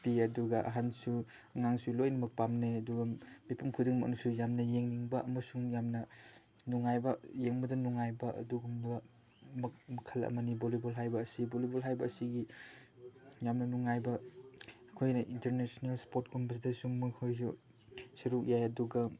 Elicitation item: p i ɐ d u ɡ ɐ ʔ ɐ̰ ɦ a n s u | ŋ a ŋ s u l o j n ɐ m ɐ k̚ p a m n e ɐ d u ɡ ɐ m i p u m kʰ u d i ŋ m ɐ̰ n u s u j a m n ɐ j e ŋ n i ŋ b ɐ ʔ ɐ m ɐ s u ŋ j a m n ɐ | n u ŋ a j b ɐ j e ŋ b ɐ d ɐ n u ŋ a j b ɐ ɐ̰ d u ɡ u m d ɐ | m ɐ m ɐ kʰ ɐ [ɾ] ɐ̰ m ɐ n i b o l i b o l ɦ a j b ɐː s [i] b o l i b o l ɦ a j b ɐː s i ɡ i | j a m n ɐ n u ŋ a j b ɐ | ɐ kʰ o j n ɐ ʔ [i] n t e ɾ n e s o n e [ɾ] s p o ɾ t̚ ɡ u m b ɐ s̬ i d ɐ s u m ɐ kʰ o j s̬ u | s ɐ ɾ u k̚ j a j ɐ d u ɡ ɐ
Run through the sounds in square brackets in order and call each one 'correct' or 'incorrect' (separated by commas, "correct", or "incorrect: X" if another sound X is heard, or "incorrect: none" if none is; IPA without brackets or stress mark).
incorrect: l, correct, correct, incorrect: l